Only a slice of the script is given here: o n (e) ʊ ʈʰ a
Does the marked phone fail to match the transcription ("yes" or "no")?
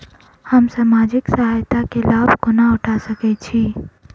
yes